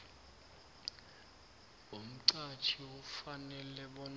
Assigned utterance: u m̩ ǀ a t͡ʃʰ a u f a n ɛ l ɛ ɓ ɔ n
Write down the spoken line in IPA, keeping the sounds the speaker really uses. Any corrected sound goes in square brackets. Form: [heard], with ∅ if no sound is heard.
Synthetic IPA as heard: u m̩ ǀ a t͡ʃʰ [i] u f a n ɛ l ɛ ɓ ɔ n